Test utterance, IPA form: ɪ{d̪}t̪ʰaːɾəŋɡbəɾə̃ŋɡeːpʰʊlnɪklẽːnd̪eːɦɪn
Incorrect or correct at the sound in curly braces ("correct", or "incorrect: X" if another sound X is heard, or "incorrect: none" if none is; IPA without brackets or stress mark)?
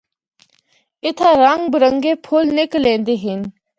incorrect: none